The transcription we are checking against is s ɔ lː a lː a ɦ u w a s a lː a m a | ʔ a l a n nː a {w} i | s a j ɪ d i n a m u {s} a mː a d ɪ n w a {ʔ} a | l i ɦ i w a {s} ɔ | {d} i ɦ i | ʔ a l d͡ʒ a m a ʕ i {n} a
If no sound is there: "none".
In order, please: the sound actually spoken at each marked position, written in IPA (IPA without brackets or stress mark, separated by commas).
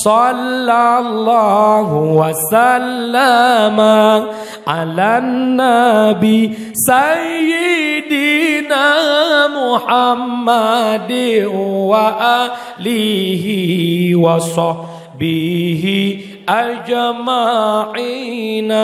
b, ħ, ʔ, s, b, n